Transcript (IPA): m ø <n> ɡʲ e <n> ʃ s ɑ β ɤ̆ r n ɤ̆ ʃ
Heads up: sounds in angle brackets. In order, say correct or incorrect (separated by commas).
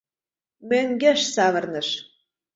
incorrect, incorrect